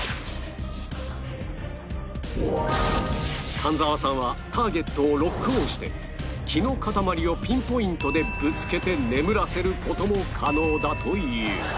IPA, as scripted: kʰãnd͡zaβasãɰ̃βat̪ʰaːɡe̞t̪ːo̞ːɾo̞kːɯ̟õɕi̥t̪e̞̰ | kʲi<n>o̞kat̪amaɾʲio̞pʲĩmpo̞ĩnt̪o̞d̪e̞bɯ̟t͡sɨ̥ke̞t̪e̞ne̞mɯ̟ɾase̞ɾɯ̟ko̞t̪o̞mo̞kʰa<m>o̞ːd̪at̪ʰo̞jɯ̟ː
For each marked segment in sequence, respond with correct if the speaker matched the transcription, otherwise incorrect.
correct, incorrect

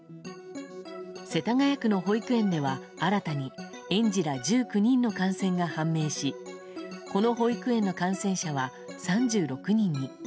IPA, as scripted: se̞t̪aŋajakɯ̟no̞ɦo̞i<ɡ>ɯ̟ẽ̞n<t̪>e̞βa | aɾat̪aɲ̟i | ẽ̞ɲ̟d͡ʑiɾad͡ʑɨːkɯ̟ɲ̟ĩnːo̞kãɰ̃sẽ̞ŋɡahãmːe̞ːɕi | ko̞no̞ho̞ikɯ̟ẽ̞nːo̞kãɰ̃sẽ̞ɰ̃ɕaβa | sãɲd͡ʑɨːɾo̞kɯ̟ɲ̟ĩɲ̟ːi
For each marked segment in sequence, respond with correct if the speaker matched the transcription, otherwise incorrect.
incorrect, incorrect

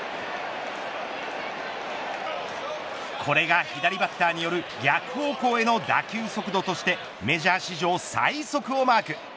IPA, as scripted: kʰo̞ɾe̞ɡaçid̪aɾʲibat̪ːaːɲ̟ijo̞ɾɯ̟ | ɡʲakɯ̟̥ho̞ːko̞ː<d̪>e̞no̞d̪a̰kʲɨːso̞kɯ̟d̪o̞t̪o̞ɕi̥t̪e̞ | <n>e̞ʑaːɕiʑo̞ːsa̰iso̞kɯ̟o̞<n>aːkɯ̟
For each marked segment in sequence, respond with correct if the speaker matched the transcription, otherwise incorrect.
incorrect, incorrect, incorrect

